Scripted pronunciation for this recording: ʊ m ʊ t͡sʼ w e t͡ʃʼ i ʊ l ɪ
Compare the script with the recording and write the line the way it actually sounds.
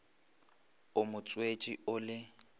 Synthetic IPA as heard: ʊ m ʊ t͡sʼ w e t͡ʃʼ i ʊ l ɪ